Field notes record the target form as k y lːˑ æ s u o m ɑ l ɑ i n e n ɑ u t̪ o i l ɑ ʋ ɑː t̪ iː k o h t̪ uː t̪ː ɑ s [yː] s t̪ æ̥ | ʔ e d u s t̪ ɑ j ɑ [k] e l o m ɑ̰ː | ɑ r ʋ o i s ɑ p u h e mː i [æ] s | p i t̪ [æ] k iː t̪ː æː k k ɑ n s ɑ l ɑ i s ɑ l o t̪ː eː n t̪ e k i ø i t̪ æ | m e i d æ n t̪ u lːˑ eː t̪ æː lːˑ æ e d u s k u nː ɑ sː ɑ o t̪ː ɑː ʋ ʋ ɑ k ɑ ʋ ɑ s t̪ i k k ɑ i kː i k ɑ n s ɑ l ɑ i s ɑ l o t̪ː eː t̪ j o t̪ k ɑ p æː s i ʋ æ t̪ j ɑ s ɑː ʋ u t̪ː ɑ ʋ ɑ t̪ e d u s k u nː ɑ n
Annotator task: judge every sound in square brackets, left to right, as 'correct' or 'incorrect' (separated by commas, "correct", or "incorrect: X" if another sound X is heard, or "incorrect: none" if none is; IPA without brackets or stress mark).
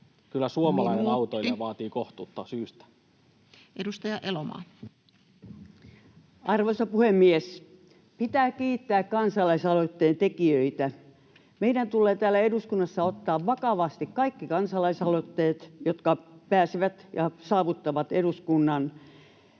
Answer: correct, incorrect: ʔ, incorrect: e, incorrect: æː